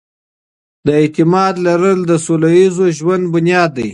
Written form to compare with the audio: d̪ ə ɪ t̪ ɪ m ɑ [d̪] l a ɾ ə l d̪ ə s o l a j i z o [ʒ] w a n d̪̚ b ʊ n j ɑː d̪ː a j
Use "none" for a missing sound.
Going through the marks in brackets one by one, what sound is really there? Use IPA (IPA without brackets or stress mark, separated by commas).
d̪, ʒ